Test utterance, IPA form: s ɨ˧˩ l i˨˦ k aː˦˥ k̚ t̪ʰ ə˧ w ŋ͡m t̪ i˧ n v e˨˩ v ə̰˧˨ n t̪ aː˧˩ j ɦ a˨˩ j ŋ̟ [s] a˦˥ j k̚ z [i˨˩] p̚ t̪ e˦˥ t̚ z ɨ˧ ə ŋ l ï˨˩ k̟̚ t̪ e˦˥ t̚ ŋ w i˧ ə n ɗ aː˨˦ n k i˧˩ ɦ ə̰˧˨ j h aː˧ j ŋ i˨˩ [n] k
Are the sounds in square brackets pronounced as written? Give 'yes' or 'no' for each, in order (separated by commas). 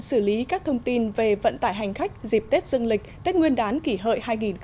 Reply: no, yes, yes